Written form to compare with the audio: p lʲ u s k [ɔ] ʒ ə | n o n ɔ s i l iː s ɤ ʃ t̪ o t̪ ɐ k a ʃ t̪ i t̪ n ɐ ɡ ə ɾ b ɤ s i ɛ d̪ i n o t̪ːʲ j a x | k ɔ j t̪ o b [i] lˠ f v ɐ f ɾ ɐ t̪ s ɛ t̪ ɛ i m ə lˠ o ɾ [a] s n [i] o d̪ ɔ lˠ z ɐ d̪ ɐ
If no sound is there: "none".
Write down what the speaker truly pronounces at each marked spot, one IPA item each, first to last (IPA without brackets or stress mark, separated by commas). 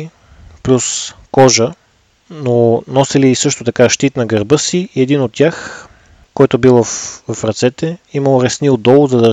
ɔ, i, ɛ, i